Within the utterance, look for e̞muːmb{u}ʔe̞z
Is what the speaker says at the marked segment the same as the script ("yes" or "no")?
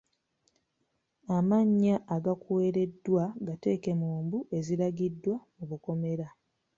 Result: yes